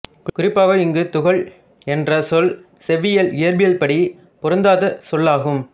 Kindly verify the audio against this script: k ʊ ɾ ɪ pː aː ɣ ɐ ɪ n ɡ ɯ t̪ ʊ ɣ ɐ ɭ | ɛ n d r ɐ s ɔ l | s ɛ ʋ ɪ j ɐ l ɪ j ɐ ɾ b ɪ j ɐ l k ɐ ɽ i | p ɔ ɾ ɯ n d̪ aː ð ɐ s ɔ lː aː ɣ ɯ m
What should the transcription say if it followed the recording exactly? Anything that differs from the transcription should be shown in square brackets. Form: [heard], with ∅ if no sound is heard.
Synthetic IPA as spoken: k ʊ ɾ ɪ pː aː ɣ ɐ ɪ [ŋ] ɡ ɯ t̪ ʊ ɣ ɐ ɭ | ɛ n d r ɐ s ɔ l | s ɛ ʋ ɪ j ɐ l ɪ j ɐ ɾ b ɪ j ɐ l [p] ɐ ɽ i | p ɔ ɾ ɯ n d̪ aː ð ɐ s ɔ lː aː ɣ ɯ m